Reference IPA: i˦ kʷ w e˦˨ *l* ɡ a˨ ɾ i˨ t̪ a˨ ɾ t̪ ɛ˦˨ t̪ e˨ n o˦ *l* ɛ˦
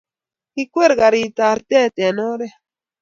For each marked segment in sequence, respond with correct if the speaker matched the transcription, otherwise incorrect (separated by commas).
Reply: incorrect, incorrect